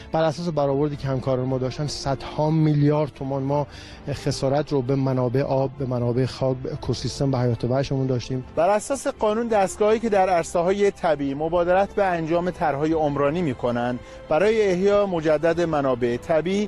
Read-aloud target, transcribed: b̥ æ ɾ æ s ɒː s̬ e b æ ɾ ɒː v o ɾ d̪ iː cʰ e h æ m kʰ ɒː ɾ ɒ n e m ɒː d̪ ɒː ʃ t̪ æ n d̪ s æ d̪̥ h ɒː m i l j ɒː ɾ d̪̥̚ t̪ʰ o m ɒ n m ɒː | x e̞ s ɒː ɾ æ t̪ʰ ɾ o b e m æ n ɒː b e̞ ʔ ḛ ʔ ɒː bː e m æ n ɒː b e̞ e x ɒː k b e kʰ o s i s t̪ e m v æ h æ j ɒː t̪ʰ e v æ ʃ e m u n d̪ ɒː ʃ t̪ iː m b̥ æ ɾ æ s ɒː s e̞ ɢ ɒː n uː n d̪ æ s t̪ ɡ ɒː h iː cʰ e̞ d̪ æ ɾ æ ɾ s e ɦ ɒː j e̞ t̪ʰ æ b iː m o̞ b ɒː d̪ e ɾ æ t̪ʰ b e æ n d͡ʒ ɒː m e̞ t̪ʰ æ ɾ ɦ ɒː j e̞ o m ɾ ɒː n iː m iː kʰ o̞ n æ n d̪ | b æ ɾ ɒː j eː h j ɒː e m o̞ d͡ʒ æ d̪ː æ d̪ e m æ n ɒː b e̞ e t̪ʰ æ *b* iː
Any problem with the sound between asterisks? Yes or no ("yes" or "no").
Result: no